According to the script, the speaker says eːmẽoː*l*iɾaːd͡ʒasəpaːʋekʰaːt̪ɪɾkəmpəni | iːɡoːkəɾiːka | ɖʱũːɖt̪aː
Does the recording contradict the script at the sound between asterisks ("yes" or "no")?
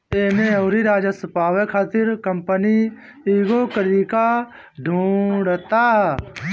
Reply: yes